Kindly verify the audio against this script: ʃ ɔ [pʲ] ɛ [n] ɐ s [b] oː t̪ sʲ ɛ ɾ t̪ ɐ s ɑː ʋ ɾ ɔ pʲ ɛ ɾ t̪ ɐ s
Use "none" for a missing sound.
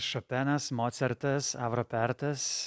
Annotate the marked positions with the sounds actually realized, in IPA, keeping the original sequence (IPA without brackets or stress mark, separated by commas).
pʲ, n, m